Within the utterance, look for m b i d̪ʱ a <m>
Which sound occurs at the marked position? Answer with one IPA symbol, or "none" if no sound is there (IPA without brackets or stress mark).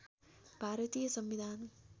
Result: n